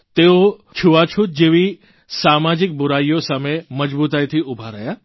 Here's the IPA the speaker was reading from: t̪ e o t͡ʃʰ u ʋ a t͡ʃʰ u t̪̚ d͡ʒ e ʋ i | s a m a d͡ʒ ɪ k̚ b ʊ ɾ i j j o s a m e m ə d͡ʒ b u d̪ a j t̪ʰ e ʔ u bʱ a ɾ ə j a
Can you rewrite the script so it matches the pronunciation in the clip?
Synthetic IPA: t̪ e o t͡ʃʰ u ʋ a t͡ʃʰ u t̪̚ d͡ʒ e ʋ i | s a m a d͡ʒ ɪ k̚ b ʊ ɾ a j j o s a m e m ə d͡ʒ b u t̪ a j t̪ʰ i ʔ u bʱ a ɾ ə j a